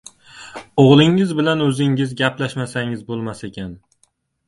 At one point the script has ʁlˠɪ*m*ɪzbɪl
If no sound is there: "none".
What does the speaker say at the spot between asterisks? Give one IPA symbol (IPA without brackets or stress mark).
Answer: ŋ